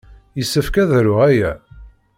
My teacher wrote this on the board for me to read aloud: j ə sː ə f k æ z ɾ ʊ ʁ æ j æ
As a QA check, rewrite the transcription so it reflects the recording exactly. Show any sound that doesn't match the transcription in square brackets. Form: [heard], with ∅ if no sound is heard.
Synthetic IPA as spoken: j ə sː ə f k æ [ð] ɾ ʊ ʁ æ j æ